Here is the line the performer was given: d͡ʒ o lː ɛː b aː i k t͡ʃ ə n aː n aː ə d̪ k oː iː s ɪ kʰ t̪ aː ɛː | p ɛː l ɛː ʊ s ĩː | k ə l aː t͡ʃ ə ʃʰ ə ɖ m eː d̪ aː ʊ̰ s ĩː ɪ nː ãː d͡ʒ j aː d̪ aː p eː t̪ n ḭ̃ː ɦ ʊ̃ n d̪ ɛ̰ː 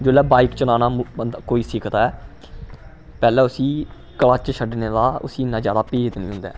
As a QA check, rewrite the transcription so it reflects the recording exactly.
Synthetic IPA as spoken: d͡ʒ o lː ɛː b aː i k t͡ʃ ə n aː n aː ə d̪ k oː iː s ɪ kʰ t̪ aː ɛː | p ɛː l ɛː ʊ s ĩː | k ə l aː t͡ʃ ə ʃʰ ə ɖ n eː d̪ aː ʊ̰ s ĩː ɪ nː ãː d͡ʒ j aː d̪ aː p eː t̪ n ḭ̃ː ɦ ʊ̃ n d̪ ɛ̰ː